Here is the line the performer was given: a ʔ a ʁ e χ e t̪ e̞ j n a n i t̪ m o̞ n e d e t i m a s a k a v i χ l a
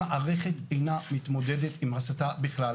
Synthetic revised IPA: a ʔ a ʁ e χ e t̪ e̞ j n a m i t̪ m o̞ d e d e t i m a s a t a b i χ l a

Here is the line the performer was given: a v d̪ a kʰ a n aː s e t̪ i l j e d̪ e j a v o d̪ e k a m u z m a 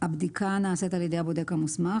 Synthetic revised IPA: a b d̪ i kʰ a n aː s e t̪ a l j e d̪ e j a b o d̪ e k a m u s m a

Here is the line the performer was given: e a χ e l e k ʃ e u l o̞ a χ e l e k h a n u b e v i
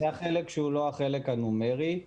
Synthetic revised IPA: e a χ e l e k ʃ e u l o̞ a χ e l e k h a n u m e ʁ i

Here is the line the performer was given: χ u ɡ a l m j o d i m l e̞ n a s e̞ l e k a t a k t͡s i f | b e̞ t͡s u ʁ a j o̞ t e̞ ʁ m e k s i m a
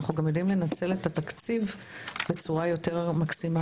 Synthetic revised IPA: χ u ɡ a m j o d i m l e̞ n a t͡s e̞ l e t a t a k t͡s i v | b e̞ t͡s u ʁ a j o̞ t e̞ ʁ m a k s i m a

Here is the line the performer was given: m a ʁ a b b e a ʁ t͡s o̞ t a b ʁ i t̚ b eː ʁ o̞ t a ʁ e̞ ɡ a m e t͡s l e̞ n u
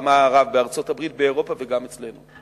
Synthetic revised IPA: m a ʁ a v b e a ʁ t͡s o̞ t a b ʁ i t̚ b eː ʁ o̞ p a v e̞ ɡ a m e t͡s l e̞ n u

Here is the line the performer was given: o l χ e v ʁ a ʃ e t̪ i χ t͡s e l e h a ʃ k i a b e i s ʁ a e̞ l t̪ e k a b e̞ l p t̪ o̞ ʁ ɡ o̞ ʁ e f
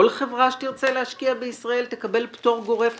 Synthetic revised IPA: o l χ e v ʁ a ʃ e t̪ i ʁ t͡s e l e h a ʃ k i a b e i s ʁ a e̞ l t̪ e k a b e̞ l p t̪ o̞ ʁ ɡ o̞ ʁ e f

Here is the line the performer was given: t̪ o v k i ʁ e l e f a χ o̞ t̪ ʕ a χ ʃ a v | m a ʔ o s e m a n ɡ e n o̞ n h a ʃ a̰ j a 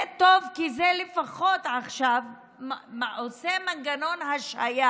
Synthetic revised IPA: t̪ o v k i z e l e f a χ o̞ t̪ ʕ a χ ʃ a v | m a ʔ o s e m a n ɡ a n o̞ n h a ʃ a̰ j a

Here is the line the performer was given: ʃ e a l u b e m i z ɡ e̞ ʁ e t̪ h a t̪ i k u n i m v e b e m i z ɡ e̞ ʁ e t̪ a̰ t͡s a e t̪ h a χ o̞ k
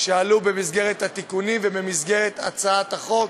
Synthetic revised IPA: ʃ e a l u b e m i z ɡ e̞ ʁ e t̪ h a t̪ i k u n i m v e b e m i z ɡ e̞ ʁ e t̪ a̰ t͡s a a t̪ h a χ o̞ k

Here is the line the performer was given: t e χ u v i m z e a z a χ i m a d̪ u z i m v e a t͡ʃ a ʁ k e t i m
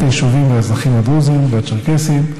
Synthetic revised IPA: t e ʃ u v i m v e a z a χ i m a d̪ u z i m v e a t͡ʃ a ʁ k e s i m

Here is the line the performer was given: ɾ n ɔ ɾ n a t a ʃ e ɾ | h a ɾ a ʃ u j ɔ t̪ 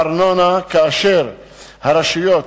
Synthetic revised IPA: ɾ n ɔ n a k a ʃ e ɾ | h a ɾ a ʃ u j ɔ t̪

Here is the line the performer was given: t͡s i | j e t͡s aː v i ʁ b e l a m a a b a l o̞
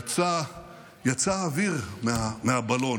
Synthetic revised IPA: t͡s a | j a t͡s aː v i ʁ m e a m e a b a l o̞

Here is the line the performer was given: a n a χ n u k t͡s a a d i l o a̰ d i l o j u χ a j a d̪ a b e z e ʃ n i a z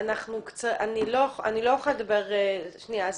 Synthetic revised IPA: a n a χ n u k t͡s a a n i l o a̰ n i l o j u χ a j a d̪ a b e ʁ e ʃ n i a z

